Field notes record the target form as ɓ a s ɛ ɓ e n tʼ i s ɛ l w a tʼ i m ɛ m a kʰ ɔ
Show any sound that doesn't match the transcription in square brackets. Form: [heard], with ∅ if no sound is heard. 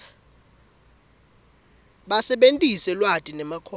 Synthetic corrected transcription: ɓ a s ɛ ɓ e n tʼ i s ɛ l w a tʼ i [n] ɛ m a kʰ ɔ